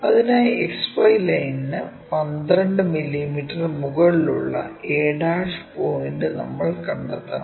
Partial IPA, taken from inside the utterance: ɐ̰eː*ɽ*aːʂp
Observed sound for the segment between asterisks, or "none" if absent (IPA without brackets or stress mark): ɽ